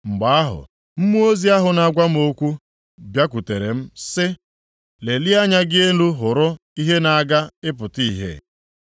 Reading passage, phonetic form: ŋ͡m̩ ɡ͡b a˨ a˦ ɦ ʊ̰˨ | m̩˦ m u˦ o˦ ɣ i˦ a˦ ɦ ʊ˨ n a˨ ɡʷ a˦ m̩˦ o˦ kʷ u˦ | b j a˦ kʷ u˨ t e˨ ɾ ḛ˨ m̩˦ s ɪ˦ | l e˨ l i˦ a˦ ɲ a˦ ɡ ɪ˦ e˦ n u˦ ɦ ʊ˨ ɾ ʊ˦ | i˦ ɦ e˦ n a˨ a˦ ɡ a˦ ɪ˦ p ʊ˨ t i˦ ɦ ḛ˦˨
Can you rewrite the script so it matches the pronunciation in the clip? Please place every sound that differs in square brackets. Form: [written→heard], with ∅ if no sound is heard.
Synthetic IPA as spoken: ŋ͡m̩ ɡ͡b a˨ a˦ ɦ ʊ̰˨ | m̩˦ m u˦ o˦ [ɣ→z] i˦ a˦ ɦ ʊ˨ n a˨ ɡʷ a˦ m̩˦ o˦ kʷ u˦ | b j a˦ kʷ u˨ t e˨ ɾ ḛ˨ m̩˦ s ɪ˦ | l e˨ l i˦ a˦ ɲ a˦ ɡ ɪ˦ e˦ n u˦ ɦ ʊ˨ ɾ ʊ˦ | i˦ ɦ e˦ n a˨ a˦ ɡ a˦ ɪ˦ p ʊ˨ t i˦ ɦ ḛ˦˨